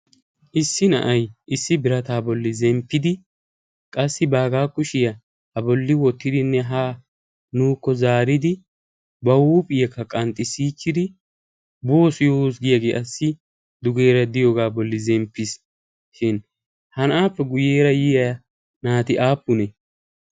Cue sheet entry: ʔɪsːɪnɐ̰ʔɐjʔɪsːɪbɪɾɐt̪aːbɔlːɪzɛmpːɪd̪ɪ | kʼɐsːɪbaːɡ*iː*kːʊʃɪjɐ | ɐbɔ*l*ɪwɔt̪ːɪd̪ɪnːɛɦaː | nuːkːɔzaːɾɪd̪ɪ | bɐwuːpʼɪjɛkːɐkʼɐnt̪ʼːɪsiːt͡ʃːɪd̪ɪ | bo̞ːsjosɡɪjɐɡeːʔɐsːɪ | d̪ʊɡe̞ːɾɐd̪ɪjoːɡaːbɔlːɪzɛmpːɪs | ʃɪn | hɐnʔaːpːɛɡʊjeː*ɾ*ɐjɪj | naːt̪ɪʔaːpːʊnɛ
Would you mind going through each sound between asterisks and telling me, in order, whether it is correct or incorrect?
incorrect: aː, incorrect: lː, correct

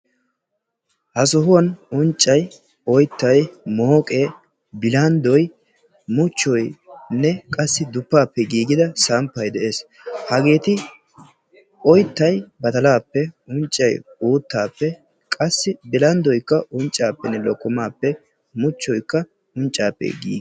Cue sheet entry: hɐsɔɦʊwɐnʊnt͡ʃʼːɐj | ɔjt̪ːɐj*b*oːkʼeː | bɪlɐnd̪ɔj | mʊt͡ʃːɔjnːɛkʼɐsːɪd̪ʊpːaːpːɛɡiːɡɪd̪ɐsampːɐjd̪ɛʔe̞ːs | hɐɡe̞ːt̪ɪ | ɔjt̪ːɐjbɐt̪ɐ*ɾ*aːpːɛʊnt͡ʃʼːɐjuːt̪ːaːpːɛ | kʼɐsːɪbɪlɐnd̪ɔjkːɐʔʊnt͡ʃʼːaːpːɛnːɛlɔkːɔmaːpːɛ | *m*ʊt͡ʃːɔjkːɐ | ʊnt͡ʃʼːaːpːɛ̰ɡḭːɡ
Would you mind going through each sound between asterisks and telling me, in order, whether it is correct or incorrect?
incorrect: m, incorrect: l, correct

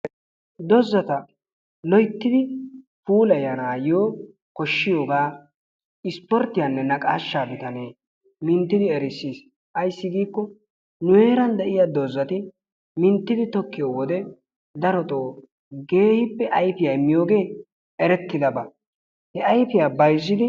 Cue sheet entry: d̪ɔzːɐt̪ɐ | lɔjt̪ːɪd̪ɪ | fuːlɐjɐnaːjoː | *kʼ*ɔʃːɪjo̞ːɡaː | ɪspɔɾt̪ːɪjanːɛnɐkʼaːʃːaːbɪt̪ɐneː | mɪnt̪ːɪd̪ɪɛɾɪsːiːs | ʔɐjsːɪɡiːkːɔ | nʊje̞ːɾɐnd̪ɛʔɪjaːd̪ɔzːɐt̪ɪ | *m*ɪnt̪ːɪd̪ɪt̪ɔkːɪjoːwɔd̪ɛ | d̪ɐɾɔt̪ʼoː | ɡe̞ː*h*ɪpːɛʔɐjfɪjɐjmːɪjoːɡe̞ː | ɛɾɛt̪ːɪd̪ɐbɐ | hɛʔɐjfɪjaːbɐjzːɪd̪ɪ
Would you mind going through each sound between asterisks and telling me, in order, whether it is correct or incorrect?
incorrect: k, correct, correct

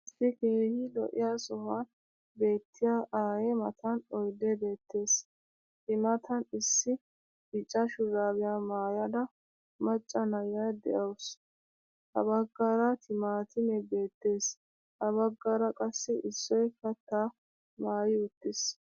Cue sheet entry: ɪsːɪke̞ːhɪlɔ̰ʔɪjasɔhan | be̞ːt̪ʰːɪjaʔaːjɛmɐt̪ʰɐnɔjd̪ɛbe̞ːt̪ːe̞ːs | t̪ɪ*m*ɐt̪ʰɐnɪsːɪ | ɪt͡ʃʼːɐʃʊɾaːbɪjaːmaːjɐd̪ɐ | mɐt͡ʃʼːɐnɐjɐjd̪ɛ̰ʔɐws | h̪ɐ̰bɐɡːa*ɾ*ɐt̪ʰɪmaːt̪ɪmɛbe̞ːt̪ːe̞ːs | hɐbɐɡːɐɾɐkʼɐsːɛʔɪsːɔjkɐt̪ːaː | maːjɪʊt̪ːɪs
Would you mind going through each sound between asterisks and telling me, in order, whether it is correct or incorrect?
correct, correct

